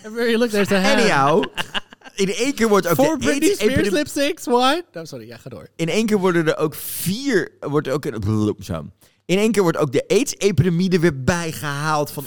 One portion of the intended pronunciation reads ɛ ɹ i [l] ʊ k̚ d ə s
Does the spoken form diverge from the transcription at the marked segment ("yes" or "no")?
no